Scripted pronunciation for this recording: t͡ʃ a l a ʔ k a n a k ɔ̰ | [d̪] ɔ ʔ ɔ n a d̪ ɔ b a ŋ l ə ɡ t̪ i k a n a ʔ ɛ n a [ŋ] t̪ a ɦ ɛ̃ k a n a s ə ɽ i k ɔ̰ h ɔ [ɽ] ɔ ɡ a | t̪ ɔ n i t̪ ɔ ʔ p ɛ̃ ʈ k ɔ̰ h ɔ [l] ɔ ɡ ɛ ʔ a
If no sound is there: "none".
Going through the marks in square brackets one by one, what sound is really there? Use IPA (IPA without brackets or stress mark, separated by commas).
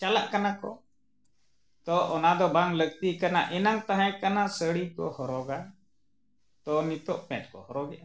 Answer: t̪, ŋ, ɾ, ɾ